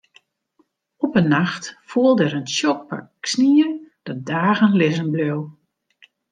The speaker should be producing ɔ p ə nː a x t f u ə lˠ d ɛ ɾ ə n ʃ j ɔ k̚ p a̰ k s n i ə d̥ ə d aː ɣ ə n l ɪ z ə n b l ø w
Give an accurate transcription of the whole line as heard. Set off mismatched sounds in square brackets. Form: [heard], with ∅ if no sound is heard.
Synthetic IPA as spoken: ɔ p ə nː a x t f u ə lˠ d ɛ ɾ ə n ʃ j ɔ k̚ p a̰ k s n i ə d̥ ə d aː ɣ ə n l ɪ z ə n b l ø w